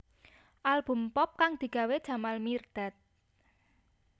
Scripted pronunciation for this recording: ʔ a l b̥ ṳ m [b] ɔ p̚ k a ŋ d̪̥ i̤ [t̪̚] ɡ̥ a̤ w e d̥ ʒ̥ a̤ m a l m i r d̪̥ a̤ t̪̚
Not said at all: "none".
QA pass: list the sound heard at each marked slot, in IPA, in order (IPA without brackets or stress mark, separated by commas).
p, none